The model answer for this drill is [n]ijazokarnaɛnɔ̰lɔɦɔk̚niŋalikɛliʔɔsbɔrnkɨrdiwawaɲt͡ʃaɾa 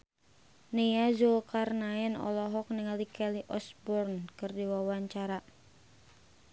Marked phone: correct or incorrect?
correct